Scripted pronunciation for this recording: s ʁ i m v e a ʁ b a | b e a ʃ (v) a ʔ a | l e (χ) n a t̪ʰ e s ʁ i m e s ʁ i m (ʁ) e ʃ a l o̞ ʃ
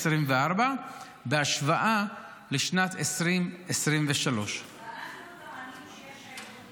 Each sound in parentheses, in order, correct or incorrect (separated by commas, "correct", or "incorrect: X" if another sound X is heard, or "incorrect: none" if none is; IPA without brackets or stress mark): correct, incorrect: ʃ, incorrect: v